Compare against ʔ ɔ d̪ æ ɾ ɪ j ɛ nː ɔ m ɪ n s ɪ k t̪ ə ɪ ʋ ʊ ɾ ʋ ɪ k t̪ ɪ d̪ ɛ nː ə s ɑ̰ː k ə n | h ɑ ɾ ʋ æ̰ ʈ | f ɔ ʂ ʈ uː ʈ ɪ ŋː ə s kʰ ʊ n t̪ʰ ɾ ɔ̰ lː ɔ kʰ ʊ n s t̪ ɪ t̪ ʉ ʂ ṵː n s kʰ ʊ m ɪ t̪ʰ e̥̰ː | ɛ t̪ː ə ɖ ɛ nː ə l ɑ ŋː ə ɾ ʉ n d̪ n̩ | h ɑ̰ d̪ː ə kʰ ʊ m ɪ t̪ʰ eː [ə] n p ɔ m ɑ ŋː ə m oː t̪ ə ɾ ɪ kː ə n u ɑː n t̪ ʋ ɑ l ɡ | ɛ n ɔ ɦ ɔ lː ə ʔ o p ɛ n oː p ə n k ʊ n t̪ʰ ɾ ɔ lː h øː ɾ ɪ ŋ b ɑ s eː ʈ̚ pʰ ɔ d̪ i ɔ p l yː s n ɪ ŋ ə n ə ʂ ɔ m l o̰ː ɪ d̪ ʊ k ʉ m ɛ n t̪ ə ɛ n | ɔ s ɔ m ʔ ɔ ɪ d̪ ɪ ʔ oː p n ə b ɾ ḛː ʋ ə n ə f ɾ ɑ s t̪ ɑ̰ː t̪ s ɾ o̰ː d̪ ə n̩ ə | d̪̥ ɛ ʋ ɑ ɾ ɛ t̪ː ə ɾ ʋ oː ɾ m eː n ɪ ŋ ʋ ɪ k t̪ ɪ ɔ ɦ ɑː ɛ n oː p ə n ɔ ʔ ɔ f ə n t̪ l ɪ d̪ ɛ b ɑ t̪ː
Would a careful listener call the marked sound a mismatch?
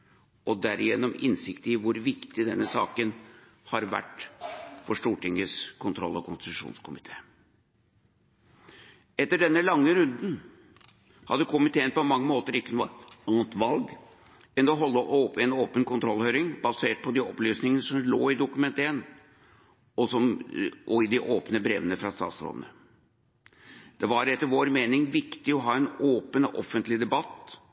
no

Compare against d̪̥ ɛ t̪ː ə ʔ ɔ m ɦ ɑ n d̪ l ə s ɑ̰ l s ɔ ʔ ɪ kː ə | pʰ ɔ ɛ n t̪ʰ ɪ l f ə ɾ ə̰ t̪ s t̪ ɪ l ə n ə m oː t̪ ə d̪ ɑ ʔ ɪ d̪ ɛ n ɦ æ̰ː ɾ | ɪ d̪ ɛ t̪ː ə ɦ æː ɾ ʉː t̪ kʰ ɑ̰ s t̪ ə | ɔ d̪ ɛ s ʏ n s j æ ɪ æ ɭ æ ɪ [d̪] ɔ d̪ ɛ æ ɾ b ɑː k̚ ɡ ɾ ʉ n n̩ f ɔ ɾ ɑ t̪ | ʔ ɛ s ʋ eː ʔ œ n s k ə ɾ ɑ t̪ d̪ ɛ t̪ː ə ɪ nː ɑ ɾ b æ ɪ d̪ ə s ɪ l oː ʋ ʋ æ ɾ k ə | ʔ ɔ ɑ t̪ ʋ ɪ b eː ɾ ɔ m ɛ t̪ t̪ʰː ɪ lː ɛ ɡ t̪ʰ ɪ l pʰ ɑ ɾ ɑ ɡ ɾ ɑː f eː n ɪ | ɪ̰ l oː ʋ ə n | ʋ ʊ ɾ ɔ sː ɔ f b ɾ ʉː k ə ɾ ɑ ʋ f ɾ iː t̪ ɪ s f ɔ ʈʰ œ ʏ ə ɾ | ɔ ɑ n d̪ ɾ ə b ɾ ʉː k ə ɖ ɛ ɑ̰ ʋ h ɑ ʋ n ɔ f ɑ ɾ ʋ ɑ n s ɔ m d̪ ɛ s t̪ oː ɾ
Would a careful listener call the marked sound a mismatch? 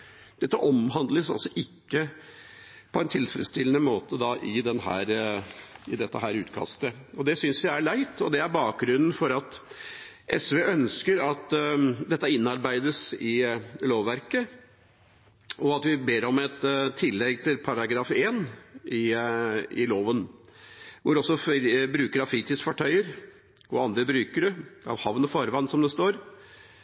yes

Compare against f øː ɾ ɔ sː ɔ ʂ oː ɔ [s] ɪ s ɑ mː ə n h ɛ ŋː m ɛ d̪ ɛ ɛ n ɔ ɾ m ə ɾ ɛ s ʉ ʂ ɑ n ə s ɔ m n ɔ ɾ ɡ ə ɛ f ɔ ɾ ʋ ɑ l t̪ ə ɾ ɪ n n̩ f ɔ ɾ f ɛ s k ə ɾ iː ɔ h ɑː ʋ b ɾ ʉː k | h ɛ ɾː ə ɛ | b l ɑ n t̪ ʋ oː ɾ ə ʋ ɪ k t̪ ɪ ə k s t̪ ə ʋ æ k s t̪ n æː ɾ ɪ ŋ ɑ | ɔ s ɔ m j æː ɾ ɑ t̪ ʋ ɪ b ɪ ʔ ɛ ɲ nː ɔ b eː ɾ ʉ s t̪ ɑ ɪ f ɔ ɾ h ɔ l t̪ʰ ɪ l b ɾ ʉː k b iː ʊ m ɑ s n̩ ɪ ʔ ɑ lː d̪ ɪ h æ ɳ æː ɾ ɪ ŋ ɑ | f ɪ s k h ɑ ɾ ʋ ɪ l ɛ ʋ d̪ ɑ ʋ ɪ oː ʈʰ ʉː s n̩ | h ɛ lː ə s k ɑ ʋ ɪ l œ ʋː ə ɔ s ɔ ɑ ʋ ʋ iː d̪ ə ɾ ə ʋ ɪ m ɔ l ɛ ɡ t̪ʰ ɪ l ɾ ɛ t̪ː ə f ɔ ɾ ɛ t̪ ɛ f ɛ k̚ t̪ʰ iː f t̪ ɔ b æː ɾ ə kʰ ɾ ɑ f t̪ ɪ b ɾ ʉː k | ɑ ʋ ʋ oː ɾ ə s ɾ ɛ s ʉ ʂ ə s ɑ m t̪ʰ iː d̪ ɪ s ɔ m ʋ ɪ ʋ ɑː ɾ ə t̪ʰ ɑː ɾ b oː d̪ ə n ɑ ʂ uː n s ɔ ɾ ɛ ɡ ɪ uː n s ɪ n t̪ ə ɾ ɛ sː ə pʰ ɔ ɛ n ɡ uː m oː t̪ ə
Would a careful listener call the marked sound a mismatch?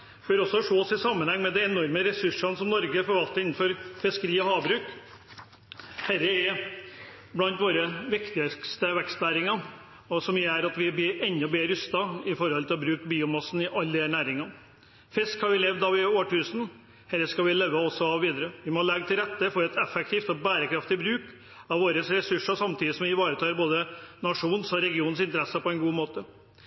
no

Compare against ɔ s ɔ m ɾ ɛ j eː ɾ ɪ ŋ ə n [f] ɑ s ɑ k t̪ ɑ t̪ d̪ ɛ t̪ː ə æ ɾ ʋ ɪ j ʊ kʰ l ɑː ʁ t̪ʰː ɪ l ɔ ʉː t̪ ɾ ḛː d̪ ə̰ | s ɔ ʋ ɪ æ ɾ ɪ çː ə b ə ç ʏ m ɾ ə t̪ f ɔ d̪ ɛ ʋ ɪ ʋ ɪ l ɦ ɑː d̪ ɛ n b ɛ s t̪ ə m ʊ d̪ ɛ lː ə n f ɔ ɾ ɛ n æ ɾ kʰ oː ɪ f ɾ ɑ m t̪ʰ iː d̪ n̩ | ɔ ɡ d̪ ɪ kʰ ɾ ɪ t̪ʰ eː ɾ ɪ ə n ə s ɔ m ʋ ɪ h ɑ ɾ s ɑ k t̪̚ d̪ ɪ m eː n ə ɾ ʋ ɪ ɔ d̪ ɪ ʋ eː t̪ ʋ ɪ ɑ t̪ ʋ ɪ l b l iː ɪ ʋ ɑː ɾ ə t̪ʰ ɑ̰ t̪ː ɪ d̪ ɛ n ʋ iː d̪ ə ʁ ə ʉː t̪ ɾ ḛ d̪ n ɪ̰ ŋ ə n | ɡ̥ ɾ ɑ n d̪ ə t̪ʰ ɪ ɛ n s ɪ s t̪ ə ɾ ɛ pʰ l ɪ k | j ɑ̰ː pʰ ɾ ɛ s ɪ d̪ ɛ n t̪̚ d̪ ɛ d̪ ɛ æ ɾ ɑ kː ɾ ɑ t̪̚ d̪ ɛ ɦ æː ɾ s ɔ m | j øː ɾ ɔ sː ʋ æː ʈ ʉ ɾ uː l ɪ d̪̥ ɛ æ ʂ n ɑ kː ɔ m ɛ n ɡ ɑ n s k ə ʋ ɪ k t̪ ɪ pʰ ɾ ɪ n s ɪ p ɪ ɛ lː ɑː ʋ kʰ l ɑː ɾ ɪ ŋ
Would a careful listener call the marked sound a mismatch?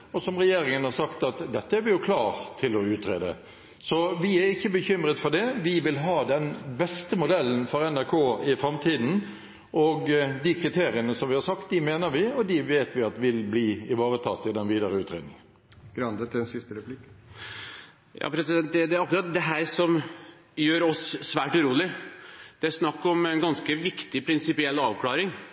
yes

